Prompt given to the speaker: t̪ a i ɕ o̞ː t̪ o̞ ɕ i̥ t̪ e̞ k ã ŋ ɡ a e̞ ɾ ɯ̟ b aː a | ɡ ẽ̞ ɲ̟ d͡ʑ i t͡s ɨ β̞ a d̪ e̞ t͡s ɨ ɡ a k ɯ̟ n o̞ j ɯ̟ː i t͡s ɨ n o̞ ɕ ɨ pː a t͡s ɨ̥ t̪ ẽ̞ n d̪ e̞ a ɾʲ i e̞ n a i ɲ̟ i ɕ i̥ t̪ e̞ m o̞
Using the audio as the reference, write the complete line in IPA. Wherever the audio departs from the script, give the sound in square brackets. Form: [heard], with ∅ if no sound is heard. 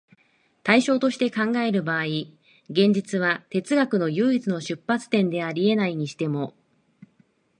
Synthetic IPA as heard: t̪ a i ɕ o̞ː t̪ o̞ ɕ i̥ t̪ e̞ k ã ŋ ɡ a e̞ ɾ ɯ̟ b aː [i] | ɡ ẽ̞ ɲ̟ d͡ʑ i t͡s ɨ β̞ a [t̪] e̞ t͡s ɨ ɡ a k ɯ̟ n o̞ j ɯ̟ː i t͡s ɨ n o̞ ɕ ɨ pː a t͡s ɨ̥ t̪ ẽ̞ n d̪ e̞ a ɾʲ i e̞ n a i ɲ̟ i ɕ i̥ t̪ e̞ m o̞